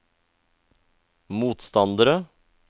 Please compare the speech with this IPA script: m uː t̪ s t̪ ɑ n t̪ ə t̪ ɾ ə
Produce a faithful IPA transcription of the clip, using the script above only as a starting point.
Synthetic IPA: m uː t̪ s t̪ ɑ n d̪ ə ɾ ə